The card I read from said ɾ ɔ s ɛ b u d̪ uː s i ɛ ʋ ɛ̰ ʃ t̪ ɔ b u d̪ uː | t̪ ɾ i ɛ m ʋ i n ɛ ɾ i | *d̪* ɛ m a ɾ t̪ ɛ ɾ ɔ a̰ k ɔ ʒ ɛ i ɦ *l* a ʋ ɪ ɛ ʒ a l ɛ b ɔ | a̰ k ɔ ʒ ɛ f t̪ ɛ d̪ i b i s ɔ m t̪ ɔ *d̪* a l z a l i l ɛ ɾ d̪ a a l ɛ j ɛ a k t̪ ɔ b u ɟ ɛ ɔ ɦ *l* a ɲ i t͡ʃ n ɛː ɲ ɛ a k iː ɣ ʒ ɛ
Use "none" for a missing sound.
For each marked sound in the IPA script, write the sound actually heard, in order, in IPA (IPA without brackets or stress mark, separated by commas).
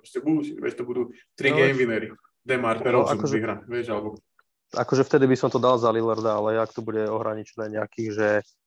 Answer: d̪, ɾ, d̪, ɾ